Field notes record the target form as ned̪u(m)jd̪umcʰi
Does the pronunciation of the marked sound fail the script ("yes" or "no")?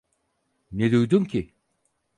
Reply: yes